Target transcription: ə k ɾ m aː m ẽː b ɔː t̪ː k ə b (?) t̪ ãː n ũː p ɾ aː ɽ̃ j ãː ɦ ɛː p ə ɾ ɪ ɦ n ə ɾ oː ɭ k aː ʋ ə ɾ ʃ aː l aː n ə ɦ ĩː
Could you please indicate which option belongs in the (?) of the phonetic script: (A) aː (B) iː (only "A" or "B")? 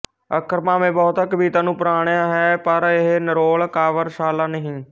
B